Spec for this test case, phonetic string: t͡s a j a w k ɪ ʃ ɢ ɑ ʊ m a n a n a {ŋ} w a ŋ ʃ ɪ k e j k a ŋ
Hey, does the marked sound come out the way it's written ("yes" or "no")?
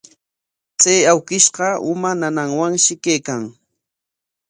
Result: yes